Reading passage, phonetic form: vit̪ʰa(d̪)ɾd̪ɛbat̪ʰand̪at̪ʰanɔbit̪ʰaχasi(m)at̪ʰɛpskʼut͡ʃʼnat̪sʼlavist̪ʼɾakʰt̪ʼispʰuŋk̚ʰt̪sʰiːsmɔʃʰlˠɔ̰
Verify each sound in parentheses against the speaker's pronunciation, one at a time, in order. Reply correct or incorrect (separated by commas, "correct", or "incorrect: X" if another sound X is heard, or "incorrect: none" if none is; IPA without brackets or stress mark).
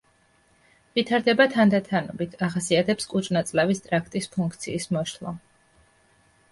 incorrect: none, incorrect: none